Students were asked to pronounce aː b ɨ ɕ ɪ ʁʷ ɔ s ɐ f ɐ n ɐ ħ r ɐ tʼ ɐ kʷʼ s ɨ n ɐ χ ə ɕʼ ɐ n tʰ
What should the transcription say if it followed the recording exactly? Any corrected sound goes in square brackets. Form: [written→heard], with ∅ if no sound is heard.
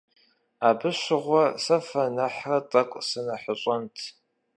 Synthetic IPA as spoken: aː b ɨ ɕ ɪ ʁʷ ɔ s ɐ f ɐ n ɐ ħ r ɐ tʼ ɐ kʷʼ s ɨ n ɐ [χ→ħ] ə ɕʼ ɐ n tʰ